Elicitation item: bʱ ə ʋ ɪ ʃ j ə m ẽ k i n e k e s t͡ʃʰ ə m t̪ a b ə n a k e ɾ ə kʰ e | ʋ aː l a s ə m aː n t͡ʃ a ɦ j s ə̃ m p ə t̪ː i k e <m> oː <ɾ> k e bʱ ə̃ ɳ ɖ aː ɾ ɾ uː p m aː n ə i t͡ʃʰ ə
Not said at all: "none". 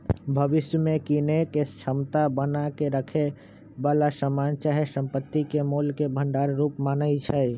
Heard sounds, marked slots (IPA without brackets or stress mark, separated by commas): m, l